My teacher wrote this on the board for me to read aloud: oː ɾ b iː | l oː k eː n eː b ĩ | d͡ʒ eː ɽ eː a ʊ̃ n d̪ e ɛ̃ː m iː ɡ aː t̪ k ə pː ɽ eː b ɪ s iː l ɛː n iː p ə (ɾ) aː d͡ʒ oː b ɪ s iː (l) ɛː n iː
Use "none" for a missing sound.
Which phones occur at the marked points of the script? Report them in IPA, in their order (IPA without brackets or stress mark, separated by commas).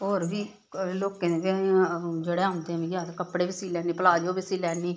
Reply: l, l